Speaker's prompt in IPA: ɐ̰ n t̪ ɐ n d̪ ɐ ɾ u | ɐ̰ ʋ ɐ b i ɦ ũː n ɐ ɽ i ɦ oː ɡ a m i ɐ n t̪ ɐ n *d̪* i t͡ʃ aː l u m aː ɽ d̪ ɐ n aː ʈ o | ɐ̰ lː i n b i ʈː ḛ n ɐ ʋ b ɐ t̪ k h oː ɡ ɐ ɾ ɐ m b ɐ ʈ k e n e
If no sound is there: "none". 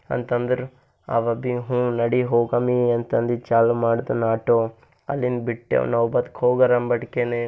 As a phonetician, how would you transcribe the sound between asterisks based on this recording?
d̪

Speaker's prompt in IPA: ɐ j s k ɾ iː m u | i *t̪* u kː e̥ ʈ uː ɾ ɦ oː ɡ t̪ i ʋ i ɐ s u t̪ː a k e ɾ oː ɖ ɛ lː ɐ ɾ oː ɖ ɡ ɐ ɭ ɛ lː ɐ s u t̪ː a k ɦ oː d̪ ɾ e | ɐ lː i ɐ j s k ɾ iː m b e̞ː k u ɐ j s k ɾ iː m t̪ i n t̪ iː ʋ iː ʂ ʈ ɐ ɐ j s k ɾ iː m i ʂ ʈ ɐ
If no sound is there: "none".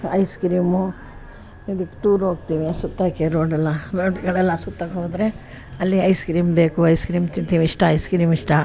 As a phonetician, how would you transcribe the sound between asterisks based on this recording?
d̪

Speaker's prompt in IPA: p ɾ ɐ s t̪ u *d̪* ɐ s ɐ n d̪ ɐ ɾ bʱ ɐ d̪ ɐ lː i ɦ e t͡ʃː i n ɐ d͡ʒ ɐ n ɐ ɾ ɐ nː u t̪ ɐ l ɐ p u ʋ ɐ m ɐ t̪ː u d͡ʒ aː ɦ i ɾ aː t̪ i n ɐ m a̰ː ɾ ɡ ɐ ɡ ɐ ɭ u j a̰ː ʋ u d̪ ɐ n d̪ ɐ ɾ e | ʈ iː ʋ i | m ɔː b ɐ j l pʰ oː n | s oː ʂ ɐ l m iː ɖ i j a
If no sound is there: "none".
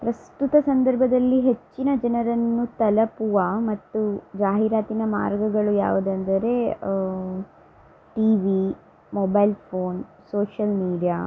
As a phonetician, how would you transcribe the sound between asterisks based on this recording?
t̪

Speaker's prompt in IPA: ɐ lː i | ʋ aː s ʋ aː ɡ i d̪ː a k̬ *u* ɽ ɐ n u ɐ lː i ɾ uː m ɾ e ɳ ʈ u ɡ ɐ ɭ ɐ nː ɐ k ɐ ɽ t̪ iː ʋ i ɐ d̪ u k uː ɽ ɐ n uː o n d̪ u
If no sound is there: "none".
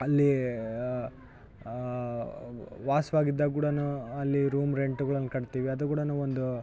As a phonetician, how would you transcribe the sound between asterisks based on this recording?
uː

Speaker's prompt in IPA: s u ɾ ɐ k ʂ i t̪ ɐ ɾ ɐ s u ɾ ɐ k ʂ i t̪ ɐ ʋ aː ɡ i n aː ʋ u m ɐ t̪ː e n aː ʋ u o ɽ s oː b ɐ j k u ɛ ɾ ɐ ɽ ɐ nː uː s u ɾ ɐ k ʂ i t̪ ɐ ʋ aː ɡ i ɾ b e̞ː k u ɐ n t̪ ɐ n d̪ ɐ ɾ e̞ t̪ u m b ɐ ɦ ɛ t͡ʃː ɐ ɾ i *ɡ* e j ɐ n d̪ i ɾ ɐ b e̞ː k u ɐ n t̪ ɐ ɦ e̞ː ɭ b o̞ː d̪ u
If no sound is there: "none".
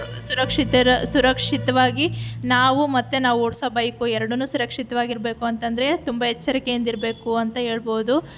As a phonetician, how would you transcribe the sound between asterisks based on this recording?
k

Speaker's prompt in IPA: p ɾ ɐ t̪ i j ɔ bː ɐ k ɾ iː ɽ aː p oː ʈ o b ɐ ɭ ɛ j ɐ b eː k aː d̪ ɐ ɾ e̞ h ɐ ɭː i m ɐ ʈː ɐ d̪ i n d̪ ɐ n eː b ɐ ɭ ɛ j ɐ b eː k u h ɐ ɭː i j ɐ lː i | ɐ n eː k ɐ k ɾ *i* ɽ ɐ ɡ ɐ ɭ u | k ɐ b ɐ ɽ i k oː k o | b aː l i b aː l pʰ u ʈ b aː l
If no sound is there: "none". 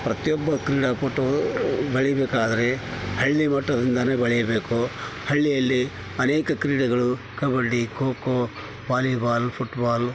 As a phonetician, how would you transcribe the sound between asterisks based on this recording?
iː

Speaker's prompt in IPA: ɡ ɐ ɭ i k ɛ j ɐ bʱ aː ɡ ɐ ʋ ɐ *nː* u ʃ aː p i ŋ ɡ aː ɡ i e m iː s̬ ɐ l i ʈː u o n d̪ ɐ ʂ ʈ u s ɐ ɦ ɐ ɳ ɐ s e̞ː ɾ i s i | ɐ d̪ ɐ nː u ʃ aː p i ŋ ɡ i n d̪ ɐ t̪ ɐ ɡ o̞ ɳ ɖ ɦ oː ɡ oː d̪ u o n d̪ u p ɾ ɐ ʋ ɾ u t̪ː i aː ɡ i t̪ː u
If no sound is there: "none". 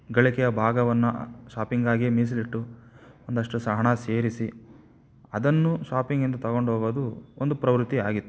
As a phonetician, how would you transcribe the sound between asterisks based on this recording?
nː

